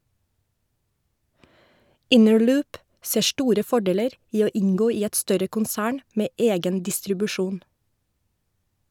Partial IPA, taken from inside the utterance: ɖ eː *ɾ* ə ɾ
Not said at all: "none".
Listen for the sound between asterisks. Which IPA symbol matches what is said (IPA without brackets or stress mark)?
l